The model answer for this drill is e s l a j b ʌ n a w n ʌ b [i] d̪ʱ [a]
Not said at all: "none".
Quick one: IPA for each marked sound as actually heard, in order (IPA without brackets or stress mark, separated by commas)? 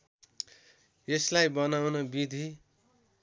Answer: i, i